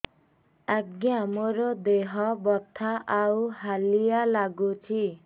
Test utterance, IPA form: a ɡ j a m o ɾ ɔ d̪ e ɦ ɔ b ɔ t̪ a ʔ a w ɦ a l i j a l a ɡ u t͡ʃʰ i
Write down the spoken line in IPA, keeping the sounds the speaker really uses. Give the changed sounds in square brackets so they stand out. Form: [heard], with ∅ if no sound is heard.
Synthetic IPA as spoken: a ɡ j a m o ɾ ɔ d̪ e ɦ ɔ b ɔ [t̪ʰ] a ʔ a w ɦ a l i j a l a ɡ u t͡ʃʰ i